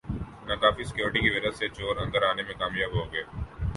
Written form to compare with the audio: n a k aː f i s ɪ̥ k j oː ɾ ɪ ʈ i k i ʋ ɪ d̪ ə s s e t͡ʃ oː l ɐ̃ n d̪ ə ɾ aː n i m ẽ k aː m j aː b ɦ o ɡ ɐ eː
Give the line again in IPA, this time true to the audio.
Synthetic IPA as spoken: n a k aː f i s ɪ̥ k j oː ɾ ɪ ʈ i k i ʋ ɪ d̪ ə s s e t͡ʃ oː ɾ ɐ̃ n d̪ ə ɾ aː n e m ẽ k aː m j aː b ɦ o ɡ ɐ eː